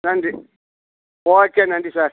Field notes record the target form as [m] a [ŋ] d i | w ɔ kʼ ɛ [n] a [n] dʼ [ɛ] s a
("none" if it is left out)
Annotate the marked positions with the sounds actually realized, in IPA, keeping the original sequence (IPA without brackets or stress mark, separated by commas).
n, n, n, n, i